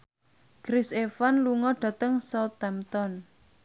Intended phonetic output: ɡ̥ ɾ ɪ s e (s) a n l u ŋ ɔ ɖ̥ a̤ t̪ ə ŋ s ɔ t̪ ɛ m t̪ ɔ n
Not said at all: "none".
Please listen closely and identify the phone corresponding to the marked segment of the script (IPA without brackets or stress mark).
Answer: f